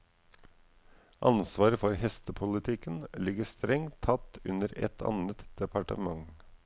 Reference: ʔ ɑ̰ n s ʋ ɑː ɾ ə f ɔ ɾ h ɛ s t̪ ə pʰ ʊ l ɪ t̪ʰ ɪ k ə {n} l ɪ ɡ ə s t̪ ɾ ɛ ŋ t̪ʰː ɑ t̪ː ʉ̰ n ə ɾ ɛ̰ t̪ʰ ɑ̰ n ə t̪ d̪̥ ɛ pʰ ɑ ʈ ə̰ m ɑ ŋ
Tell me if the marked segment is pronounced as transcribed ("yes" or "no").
yes